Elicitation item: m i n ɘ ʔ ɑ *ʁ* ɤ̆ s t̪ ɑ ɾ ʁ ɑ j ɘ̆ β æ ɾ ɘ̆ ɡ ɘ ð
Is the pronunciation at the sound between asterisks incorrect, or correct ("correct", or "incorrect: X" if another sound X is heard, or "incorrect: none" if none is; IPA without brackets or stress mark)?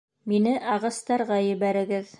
correct